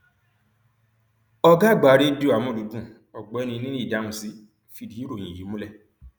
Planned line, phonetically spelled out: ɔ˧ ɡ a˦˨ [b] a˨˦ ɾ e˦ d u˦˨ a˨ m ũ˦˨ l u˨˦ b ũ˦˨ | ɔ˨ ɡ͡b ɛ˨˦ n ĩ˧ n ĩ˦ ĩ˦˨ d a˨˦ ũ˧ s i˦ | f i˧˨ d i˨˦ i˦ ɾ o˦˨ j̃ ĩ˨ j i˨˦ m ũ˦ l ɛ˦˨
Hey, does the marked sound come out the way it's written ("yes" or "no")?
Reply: no